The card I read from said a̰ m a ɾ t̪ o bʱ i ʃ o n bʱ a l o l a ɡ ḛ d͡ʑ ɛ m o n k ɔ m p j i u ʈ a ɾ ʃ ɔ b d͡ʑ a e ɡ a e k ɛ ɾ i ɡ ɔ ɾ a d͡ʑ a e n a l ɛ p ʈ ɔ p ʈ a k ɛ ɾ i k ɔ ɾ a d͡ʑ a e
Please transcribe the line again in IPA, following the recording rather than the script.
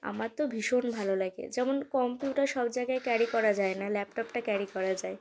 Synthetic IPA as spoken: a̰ m a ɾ t̪ o bʱ i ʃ o n bʱ a l o l a ɡ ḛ d͡ʑ ɛ m o n k ɔ m p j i u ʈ a ɾ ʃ ɔ b d͡ʑ a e ɡ a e k ɛ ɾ i k ɔ ɾ a d͡ʑ a e n a l ɛ p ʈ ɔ p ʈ a k ɛ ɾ i k ɔ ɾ a d͡ʑ a e